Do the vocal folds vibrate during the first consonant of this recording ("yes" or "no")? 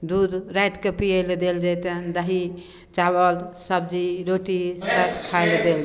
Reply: yes